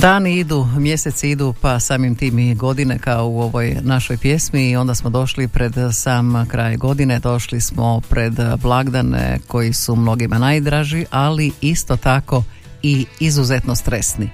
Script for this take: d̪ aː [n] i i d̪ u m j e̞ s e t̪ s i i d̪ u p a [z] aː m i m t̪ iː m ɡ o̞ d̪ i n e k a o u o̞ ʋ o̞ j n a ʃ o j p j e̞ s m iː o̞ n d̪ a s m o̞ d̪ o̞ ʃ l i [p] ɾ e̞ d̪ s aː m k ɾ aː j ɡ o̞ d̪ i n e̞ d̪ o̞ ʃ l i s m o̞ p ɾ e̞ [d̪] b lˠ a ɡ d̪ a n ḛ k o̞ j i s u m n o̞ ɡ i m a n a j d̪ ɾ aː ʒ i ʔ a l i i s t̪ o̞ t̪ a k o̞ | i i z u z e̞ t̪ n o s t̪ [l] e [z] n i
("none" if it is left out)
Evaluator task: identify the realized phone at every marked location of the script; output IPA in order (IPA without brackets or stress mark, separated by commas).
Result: n, s, p, d̪, ɾ, s